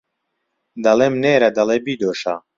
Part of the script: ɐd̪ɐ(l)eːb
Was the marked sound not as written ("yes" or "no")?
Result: no